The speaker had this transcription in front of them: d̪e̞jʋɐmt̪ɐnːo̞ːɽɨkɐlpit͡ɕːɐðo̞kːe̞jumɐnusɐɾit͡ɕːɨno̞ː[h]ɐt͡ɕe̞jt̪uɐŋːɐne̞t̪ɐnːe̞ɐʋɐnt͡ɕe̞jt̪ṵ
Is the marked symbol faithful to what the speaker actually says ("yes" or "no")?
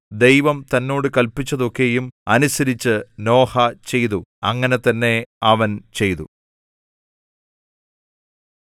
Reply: yes